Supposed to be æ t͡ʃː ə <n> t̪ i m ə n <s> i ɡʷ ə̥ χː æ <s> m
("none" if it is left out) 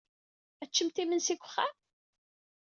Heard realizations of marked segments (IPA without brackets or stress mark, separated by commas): m, s, none